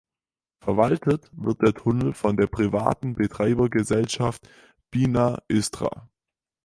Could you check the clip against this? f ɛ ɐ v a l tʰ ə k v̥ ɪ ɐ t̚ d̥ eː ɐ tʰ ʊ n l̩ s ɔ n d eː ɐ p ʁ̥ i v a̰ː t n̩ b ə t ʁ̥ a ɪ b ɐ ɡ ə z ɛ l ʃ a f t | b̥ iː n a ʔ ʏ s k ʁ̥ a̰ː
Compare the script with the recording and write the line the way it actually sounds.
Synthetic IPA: f ɛ ɐ v a l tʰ ə t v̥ ɪ ɐ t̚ d̥ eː ɐ tʰ ʊ n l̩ f ɔ n d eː ɐ p ʁ̥ i v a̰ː t n̩ b ə t ʁ̥ a ɪ b ɐ ɡ ə z ɛ l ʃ a f t | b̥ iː n a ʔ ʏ s t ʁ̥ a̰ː